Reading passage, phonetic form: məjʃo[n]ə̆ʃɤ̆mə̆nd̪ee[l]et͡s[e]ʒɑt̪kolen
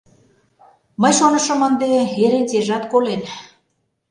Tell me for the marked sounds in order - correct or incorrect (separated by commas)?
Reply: correct, incorrect, correct